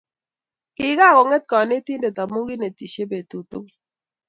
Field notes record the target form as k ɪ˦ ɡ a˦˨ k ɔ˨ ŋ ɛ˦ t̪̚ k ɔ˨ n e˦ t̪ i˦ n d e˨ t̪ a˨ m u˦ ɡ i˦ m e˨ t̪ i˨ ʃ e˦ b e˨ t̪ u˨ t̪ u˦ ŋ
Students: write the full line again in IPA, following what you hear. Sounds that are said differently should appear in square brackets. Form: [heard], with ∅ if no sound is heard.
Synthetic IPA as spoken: k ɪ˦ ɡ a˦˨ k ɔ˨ ŋ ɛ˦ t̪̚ k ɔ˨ n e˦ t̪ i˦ n d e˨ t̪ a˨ m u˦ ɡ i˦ [n] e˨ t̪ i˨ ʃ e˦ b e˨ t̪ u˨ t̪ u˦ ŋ